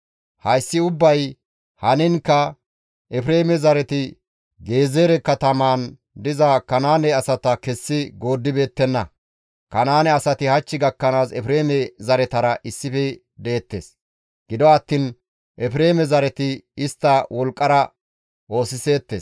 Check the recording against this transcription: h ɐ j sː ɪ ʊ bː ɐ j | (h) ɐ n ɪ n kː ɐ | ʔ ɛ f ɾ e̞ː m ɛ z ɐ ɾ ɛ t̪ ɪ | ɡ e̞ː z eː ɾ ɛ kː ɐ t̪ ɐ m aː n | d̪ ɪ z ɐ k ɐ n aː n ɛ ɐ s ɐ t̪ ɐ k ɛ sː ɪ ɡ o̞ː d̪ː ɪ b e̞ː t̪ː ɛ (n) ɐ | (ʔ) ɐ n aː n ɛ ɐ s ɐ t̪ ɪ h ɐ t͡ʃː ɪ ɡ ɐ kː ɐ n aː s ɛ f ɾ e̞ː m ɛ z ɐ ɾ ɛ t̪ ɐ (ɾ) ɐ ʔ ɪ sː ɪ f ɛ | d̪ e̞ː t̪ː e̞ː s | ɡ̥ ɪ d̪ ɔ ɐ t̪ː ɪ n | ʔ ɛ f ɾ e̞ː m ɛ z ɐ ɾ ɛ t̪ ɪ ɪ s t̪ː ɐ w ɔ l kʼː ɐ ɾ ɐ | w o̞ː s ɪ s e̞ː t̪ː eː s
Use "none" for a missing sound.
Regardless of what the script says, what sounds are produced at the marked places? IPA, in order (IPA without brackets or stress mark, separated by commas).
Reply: h, nː, k, ɾ